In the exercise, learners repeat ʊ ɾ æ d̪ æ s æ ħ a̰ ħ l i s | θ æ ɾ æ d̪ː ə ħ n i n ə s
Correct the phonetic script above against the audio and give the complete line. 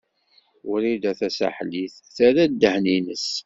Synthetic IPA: ʊ ɾ i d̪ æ θ æ s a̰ ħ l i θ | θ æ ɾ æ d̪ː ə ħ n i n ə s